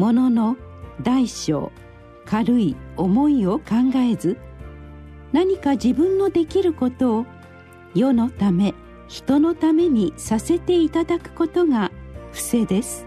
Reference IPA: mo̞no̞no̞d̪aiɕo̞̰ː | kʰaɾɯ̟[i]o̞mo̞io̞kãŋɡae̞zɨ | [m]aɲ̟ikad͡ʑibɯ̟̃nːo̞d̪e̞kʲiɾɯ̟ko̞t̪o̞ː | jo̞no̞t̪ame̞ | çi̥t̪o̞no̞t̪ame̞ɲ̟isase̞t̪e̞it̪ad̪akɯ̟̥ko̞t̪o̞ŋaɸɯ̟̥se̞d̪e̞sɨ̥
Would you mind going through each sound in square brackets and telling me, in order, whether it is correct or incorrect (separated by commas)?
correct, incorrect